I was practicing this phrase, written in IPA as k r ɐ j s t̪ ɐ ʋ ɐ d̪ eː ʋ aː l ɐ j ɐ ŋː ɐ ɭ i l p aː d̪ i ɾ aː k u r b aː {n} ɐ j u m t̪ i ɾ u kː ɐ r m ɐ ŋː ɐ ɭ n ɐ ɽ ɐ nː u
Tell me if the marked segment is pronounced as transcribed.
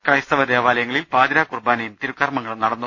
yes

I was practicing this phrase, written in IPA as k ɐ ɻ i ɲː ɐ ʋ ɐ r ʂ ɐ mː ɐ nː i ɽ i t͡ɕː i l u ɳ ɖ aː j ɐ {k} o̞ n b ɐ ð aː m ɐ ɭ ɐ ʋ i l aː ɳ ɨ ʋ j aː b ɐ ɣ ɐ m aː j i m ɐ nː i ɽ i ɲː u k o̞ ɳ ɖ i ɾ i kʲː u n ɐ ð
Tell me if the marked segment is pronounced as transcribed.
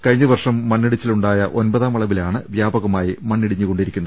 no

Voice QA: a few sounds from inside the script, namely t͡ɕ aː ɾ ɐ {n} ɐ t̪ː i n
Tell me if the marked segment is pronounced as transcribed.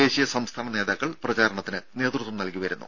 no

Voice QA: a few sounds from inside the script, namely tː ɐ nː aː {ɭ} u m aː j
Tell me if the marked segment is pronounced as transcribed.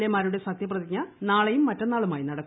yes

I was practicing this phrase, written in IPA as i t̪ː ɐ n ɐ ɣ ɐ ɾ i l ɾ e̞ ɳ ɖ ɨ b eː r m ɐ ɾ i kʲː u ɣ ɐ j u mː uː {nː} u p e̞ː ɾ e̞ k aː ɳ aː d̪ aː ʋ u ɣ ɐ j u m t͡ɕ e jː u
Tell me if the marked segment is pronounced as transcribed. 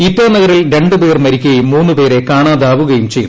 yes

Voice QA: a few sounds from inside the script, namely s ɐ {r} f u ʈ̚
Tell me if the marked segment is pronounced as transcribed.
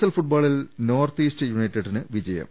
no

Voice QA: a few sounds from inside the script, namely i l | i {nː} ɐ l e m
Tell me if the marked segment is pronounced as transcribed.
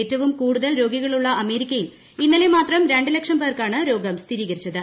yes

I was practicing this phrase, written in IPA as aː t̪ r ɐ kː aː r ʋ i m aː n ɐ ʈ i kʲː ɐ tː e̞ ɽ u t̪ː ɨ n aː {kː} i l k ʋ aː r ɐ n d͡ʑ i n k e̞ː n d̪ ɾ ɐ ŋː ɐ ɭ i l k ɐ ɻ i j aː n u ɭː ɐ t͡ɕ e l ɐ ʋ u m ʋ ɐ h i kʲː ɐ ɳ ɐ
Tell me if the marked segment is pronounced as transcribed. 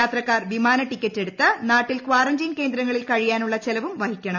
no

